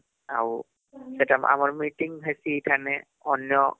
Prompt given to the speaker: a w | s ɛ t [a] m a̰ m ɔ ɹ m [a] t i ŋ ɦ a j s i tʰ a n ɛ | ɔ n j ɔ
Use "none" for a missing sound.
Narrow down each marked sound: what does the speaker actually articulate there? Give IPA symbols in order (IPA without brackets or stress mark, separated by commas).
a, i